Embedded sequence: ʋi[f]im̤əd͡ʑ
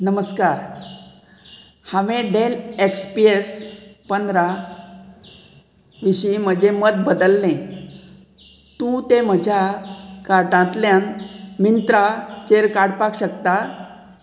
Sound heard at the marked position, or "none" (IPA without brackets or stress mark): ɕ